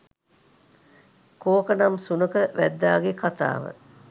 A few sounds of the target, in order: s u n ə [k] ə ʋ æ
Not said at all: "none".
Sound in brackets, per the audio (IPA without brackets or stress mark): k